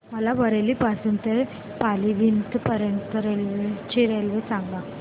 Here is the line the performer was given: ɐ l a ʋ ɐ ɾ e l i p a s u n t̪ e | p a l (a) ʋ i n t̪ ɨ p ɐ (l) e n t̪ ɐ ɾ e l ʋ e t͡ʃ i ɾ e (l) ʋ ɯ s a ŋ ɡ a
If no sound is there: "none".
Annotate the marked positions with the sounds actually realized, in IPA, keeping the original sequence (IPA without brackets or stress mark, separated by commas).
i, ɾ, l